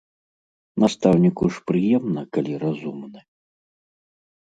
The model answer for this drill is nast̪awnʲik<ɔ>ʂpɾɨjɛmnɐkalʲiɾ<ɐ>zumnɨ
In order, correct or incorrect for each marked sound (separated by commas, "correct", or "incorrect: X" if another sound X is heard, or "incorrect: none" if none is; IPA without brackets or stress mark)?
incorrect: u, incorrect: a